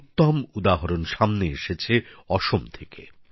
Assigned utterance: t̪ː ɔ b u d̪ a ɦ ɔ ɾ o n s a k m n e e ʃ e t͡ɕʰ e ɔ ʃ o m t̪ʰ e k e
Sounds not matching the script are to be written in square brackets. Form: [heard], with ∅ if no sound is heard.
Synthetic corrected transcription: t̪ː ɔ [m] u d̪ a ɦ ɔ ɾ o n [ʃ] a [∅] m n e e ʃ e t͡ɕʰ e ɔ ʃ o m t̪ʰ e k e